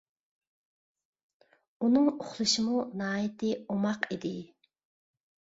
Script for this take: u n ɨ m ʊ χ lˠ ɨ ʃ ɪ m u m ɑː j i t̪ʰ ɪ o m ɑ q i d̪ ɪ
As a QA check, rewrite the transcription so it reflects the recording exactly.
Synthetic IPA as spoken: u n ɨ ŋ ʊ χ lˠ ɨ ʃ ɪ m u n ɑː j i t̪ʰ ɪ o m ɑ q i d̪ ɪ